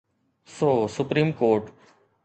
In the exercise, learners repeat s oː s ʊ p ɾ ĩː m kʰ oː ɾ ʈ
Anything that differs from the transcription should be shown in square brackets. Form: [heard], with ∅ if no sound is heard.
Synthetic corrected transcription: s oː s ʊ p ɾ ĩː m [k] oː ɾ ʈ

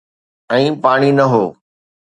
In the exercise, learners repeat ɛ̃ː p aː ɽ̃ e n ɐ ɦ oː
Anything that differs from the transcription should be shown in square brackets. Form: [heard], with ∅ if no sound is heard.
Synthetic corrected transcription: ɛ̃ː p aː ɽ̃ [i] n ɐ ɦ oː

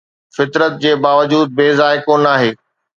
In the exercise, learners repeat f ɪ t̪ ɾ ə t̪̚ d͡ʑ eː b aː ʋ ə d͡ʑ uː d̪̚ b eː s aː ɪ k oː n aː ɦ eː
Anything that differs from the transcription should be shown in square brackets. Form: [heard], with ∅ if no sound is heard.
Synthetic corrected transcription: f ɪ t̪ ɾ ə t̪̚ d͡ʑ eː b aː ʋ ə d͡ʑ uː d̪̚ b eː [z] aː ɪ k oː n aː ɦ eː

